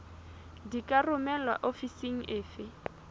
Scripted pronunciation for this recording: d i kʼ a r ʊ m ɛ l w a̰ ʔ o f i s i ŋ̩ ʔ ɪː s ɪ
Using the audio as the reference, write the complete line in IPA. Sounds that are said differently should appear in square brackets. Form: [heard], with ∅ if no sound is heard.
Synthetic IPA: d i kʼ a r ʊ m ɛ l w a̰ ʔ o f i s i ŋ̩ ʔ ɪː [f] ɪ